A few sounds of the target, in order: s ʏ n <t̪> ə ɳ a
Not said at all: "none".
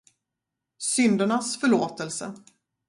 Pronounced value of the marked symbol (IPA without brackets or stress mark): d̪